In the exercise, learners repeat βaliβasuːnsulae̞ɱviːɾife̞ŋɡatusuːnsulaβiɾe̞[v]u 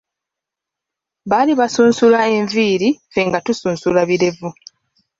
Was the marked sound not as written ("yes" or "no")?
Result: no